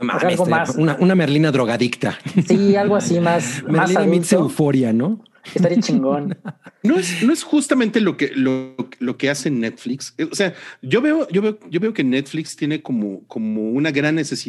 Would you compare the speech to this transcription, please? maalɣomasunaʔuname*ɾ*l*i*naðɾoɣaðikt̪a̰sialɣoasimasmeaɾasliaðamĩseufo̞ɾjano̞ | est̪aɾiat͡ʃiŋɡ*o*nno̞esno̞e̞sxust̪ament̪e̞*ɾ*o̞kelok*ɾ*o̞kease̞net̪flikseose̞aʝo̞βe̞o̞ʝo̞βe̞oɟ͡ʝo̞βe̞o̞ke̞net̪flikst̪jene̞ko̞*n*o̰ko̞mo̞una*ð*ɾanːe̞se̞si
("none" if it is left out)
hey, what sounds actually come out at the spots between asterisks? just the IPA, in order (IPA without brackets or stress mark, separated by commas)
ɾ, i, o, l, l, m, ɣ